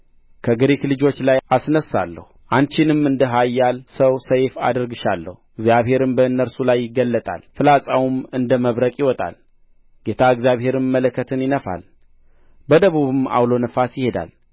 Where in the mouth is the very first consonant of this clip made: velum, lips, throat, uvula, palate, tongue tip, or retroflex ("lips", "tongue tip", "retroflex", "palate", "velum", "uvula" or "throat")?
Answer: velum